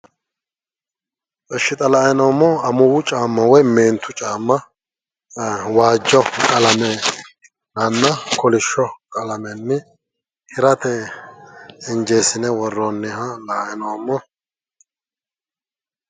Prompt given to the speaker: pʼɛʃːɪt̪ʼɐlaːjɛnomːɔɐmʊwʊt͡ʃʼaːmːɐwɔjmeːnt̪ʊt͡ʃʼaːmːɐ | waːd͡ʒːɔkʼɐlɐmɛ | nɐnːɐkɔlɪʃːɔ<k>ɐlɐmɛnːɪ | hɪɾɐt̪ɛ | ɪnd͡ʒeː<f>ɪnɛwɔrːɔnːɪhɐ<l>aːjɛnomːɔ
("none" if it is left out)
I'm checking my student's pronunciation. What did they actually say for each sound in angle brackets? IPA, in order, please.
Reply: kʼ, s, l

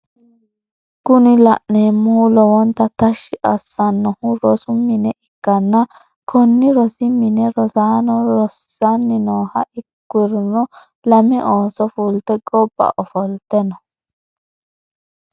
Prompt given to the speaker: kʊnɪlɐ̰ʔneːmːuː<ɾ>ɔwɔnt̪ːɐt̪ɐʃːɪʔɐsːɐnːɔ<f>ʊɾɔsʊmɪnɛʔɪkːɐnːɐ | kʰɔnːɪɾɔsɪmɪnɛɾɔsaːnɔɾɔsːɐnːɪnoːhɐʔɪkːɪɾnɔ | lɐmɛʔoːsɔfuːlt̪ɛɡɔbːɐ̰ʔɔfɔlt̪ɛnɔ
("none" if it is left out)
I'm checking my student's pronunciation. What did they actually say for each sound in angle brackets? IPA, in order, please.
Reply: l, h

